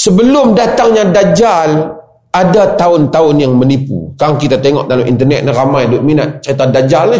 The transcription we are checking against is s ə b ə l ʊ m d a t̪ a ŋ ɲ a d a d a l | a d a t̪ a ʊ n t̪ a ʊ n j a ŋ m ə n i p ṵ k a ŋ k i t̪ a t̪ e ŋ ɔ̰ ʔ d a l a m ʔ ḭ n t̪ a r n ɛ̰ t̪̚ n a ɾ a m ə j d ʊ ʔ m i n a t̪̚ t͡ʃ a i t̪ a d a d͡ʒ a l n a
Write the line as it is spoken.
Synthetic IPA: s ə b ə l ʊ m d a t̪ a ŋ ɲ a d a d͡ʒ a l | a d a t̪ a ʊ n t̪ a ʊ n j a ŋ m ə n i p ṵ k a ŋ k i t̪ a t̪ e ŋ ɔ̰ ʔ d a l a m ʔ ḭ n t̪ ə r n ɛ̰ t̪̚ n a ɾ a m a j d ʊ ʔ m i n a t̪̚ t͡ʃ a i t̪ a d a d͡ʒ a l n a